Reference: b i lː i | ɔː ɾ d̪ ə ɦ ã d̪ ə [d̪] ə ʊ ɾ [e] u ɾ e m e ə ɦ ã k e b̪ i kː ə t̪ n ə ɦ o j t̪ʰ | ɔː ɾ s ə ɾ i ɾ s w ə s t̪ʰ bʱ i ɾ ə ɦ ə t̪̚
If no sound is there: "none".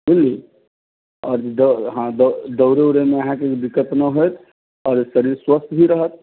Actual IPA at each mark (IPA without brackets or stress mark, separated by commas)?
d̪, e